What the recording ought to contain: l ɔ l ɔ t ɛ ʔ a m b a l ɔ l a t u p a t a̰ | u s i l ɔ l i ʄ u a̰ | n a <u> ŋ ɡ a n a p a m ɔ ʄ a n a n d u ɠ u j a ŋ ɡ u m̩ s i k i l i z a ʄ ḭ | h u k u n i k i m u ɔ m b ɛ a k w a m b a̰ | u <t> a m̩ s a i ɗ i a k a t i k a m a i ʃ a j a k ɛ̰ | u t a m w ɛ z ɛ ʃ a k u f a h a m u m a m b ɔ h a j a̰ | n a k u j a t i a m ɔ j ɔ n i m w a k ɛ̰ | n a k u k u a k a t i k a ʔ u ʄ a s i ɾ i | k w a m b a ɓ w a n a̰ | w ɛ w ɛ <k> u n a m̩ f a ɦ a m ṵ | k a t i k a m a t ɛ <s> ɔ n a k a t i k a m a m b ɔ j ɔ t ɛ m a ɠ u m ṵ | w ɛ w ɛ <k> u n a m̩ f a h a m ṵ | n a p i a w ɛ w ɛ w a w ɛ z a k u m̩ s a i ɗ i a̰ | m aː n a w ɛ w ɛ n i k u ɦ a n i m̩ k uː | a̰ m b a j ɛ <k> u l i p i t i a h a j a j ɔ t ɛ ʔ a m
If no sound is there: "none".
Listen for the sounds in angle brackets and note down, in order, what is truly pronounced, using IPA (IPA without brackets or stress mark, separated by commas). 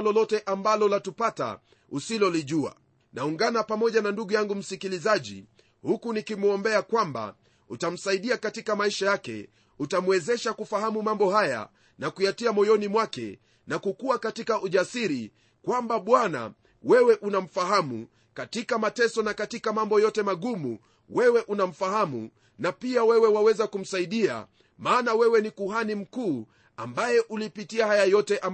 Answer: u, t, ʔ, s, ʔ, ʔ